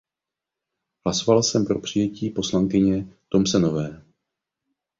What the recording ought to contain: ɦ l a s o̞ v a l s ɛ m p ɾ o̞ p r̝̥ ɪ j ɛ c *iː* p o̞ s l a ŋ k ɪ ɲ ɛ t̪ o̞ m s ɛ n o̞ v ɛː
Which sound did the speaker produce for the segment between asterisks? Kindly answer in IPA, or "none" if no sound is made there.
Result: iː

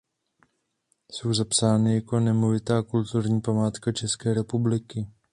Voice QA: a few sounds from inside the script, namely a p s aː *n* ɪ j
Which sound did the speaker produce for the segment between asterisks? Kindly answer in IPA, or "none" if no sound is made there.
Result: n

